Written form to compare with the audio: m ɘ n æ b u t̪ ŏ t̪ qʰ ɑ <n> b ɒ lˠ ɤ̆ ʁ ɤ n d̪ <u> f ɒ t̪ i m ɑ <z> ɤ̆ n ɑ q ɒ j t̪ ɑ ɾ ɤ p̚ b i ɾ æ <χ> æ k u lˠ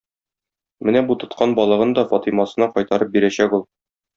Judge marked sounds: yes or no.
yes, no, no, no

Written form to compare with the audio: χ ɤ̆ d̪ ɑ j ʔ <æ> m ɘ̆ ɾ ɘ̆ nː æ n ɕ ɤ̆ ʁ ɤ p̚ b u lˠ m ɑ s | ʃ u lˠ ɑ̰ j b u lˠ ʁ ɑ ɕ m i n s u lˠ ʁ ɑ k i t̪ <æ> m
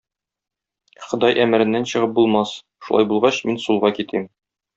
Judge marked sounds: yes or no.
yes, no

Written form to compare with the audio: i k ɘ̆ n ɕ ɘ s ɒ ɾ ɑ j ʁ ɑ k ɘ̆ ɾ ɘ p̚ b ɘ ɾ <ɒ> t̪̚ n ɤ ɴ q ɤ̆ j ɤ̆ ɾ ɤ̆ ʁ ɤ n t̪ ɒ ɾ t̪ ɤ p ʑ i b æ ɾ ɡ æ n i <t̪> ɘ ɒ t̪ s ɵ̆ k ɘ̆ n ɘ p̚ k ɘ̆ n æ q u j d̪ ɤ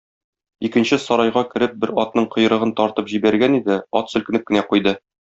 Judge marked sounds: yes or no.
yes, no

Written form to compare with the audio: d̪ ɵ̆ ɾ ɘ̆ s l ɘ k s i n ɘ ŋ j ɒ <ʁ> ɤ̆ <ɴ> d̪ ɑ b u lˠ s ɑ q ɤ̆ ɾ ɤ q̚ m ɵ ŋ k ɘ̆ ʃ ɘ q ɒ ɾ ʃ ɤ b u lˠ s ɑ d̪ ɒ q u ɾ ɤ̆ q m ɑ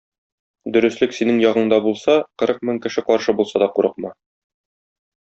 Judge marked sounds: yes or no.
yes, yes

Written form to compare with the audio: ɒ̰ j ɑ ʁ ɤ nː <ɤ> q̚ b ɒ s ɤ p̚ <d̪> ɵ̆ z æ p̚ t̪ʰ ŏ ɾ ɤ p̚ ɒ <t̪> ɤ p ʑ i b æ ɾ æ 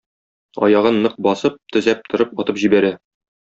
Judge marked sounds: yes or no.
yes, no, yes

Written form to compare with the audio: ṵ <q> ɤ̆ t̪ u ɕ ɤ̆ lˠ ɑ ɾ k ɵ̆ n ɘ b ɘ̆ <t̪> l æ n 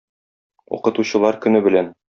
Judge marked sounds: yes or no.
yes, no

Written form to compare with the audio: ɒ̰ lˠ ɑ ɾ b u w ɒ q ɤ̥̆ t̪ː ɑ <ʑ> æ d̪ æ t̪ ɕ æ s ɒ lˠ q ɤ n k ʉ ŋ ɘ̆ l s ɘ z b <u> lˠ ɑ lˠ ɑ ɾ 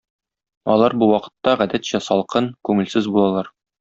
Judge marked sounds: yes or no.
no, yes

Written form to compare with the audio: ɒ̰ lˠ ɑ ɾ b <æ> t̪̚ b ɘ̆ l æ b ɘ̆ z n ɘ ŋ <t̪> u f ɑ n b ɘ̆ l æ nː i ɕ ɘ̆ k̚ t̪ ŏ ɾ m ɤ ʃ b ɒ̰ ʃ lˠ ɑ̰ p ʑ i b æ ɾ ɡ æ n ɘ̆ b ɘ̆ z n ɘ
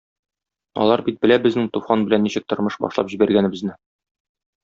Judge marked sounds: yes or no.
no, yes

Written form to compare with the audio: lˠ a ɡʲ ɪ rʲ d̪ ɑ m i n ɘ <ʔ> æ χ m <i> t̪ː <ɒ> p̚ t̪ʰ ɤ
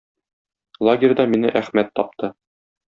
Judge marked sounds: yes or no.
yes, no, yes

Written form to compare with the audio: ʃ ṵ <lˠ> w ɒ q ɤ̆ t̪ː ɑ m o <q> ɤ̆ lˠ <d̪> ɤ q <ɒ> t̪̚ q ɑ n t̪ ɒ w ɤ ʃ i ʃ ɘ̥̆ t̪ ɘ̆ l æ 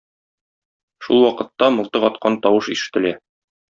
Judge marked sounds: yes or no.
yes, no, no, yes

